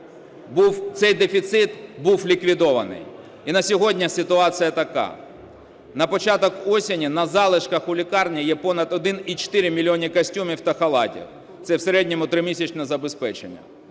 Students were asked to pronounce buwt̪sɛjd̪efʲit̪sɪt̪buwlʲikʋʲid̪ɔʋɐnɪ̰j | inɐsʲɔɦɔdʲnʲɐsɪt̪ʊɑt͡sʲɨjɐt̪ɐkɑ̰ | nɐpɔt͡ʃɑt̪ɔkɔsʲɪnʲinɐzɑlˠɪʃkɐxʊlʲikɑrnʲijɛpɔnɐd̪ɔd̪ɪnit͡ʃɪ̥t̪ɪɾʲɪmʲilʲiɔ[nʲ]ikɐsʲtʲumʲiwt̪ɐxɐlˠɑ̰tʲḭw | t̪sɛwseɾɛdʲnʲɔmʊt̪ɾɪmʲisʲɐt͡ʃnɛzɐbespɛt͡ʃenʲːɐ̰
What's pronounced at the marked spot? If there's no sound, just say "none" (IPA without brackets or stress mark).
nʲ